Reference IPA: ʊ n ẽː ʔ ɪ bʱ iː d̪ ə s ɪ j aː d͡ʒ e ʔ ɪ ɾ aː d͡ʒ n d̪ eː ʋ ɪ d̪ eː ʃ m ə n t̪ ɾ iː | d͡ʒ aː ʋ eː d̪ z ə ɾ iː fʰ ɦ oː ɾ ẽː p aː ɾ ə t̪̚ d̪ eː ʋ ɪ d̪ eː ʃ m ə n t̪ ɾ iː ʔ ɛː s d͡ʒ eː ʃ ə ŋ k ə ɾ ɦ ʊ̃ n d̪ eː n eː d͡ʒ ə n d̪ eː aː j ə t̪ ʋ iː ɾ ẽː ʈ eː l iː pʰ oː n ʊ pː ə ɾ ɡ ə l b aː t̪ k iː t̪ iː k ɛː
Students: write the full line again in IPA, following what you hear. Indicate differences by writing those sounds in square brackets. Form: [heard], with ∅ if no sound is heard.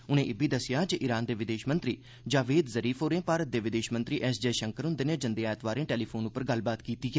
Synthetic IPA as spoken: ʊ n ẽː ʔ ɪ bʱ iː d̪ ə s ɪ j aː d͡ʒ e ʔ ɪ ɾ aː [∅] n d̪ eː ʋ ɪ d̪ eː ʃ m ə n t̪ ɾ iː | d͡ʒ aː ʋ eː d̪ z ə ɾ iː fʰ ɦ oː ɾ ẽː p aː ɾ ə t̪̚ d̪ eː ʋ ɪ d̪ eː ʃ m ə n t̪ ɾ iː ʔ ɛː s d͡ʒ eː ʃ ə ŋ k ə ɾ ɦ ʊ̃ n d̪ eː n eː d͡ʒ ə n d̪ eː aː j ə t̪ ʋ [aː] ɾ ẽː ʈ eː l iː pʰ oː n ʊ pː ə ɾ ɡ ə l b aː t̪ k iː t̪ iː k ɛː